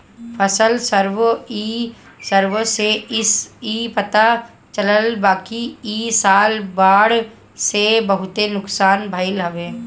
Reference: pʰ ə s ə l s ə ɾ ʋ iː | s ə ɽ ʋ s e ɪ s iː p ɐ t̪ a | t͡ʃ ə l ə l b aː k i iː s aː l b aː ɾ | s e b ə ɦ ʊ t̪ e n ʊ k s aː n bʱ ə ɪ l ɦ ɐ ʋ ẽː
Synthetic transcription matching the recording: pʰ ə s ə l s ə ɾ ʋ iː | s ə ɾ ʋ s e ɪ s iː p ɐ t̪ a | t͡ʃ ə l ə l b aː k i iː s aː l b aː ɽ | s e b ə ɦ ʊ t̪ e n ʊ k s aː n bʱ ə ɪ l ɦ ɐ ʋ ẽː